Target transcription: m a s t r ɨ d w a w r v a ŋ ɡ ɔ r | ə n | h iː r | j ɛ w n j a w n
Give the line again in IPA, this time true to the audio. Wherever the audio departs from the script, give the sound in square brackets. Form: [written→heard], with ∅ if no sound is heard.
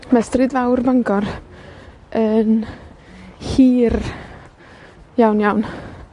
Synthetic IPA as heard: m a s t r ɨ d [w→v] a w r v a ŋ ɡ ɔ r | ə n | h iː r | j [ɛ→a] w n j a w n